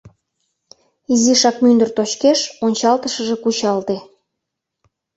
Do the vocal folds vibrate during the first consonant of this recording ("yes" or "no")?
yes